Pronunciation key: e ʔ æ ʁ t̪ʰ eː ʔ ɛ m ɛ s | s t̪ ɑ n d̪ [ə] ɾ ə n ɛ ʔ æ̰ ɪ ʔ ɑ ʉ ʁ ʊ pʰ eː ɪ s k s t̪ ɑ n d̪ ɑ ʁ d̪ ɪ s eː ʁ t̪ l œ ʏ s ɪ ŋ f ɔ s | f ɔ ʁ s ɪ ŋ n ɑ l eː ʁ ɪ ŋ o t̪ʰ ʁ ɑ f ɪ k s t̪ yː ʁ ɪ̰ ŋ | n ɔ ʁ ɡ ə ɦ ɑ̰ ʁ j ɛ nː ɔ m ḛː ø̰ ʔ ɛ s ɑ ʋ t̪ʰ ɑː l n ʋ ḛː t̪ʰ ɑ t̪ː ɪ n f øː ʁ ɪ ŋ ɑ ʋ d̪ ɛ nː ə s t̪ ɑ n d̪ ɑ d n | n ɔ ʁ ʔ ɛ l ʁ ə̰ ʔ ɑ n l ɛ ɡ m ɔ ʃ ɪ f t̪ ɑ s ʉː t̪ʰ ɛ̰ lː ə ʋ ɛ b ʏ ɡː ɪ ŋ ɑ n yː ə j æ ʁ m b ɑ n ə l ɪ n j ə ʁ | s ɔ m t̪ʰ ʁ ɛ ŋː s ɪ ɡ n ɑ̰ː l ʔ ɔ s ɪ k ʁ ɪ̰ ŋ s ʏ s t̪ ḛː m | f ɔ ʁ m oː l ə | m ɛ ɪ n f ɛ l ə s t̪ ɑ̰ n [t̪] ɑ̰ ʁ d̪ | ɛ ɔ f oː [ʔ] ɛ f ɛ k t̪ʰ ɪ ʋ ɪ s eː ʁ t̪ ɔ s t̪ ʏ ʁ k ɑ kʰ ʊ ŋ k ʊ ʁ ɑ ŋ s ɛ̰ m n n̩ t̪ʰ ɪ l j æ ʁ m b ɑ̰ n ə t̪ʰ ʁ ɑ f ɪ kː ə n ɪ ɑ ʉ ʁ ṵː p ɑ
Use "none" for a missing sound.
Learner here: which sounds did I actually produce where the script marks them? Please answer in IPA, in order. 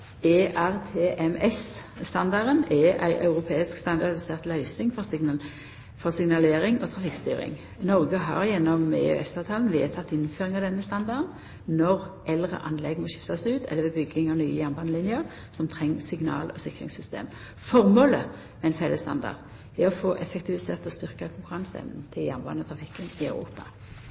ɑ, d̪, ʔ

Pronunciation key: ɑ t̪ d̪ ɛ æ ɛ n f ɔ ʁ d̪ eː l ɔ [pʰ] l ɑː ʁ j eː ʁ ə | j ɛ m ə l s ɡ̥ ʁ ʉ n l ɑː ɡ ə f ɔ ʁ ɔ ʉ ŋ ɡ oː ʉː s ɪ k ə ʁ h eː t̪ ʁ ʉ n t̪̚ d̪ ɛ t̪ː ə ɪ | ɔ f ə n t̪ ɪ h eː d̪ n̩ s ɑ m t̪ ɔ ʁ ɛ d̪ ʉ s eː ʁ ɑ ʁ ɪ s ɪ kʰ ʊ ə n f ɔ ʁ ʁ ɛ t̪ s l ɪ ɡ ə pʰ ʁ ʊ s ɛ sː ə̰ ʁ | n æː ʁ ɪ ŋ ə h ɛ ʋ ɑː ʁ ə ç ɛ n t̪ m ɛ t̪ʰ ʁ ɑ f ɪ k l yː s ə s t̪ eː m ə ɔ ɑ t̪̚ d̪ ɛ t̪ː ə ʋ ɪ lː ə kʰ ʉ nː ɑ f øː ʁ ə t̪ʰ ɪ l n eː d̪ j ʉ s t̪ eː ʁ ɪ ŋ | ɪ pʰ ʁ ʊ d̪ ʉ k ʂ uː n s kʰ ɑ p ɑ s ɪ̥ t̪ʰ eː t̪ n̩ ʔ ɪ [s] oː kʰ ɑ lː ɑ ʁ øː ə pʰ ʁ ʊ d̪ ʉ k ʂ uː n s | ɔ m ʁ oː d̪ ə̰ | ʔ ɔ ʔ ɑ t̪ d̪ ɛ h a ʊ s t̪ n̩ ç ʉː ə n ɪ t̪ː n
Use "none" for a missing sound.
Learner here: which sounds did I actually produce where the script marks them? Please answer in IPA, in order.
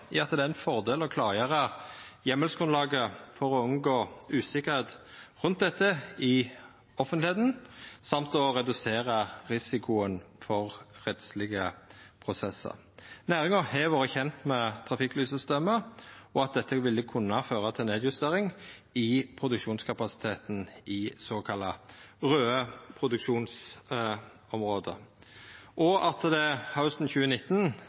kʰ, s

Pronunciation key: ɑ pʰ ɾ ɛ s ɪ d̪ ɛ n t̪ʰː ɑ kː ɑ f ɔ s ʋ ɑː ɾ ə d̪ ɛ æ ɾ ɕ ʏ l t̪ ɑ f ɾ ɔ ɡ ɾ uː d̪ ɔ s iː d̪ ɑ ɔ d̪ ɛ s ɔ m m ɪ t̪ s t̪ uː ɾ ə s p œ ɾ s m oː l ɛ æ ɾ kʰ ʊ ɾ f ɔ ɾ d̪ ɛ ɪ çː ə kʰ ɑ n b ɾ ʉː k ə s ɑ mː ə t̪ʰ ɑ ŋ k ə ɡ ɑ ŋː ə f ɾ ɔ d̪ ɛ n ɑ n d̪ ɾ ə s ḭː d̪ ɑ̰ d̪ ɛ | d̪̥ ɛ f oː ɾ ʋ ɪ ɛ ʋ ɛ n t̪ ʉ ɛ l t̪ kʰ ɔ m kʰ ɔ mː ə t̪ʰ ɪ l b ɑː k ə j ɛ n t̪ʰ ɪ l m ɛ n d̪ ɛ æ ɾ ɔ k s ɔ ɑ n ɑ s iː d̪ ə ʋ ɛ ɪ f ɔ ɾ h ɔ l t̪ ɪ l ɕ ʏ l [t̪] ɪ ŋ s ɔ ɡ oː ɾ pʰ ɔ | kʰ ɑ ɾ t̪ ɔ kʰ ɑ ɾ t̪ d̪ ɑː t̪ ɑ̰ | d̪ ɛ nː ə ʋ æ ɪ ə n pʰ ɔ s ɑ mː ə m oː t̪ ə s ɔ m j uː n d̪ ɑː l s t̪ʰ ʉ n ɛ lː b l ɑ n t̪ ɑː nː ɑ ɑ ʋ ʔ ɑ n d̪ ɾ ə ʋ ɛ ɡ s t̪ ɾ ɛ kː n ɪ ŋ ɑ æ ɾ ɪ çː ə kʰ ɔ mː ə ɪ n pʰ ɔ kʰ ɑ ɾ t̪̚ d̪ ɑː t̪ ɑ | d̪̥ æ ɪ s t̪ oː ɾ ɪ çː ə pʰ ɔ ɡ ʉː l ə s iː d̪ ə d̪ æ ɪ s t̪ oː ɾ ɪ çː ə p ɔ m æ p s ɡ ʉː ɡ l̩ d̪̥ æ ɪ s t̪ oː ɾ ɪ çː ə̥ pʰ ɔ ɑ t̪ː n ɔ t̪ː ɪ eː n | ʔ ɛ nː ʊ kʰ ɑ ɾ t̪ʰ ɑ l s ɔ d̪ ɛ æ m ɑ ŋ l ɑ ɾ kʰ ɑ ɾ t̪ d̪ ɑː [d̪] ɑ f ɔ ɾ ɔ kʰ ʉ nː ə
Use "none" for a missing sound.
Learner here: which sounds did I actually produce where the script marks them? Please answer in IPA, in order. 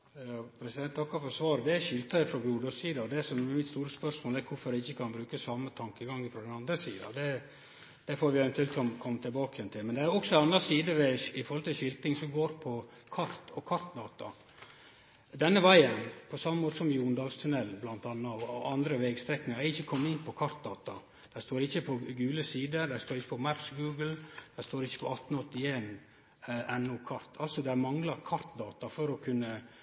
t̪, t̪

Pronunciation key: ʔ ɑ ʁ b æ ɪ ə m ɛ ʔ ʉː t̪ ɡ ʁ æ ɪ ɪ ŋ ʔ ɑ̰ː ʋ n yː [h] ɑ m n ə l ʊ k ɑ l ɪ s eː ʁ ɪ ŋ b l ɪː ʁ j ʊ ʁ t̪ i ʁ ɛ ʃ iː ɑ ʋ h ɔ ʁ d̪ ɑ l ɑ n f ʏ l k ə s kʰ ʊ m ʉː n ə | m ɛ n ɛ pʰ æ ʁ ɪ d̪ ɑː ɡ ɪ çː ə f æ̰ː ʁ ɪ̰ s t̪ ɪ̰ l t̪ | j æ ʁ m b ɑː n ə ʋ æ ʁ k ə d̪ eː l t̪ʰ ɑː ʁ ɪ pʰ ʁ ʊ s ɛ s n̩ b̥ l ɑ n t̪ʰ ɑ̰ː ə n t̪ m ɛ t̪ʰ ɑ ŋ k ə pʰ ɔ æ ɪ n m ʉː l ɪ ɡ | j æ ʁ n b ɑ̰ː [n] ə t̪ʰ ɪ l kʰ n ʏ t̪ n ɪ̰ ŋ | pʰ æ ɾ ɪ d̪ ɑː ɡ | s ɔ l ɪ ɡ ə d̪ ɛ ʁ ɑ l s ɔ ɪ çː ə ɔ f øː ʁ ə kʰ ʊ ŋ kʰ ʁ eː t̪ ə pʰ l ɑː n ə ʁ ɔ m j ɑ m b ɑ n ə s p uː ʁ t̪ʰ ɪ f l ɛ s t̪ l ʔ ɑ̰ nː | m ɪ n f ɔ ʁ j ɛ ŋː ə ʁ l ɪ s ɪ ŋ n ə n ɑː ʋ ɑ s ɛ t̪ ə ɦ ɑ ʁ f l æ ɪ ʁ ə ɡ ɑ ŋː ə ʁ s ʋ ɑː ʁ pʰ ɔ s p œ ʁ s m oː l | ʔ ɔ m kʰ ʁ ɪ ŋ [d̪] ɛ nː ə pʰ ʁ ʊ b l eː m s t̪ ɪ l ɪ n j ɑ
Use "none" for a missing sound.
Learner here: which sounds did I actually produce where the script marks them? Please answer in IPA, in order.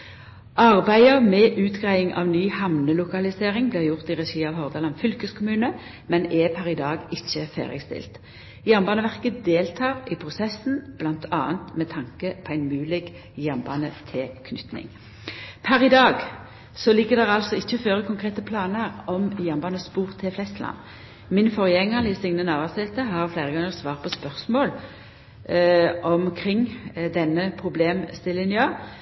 h, n, d̪

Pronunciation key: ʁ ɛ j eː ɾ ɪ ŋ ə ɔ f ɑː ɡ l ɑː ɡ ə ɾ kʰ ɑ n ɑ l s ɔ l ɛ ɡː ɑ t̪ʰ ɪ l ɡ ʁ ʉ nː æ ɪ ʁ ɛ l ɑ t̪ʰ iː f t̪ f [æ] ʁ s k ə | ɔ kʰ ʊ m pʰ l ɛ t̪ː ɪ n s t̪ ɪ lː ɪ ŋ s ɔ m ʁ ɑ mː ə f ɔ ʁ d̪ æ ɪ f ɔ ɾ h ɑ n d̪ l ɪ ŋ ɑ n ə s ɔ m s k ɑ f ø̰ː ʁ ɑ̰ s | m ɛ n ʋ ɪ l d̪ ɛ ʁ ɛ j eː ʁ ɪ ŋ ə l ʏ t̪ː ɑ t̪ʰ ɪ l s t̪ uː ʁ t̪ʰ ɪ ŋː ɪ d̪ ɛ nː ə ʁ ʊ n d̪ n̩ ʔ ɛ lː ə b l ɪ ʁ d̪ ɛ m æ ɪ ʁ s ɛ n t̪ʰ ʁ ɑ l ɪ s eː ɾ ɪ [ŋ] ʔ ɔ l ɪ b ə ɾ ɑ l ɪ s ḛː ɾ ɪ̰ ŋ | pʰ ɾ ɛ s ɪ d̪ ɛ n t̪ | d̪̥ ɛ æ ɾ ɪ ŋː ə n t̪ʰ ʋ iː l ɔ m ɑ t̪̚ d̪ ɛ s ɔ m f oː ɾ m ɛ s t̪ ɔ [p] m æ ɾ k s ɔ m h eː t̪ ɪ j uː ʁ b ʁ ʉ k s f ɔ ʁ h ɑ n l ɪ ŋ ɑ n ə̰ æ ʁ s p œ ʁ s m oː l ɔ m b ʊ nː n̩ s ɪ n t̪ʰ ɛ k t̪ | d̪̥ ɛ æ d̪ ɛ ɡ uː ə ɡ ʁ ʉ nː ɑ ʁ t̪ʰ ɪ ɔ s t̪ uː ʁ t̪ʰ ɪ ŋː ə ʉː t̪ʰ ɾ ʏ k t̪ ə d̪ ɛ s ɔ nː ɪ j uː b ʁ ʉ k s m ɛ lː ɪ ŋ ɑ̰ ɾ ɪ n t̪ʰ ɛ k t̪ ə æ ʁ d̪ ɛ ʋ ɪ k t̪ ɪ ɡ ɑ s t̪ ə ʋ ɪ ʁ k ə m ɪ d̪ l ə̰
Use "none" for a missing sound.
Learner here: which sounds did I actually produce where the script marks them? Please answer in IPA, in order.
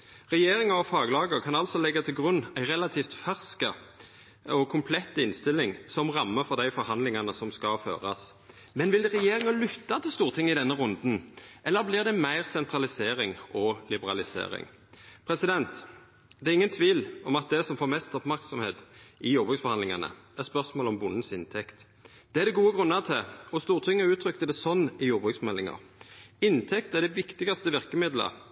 æ, ŋ, p

